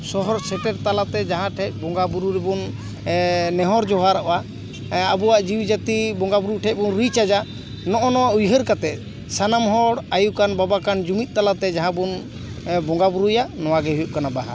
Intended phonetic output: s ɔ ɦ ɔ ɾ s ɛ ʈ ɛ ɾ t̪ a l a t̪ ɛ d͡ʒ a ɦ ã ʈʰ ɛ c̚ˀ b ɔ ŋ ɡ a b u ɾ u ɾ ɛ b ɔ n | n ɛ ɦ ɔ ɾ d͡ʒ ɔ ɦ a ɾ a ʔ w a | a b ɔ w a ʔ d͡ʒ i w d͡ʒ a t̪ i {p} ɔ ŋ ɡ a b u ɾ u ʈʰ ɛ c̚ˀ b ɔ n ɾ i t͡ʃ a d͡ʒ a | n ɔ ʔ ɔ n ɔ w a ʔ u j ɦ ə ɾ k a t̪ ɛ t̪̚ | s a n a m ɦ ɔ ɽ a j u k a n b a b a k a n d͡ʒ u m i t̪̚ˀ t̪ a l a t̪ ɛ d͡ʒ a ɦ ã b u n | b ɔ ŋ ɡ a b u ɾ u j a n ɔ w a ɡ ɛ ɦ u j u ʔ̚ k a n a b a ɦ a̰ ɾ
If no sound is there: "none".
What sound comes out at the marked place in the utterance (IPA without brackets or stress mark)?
b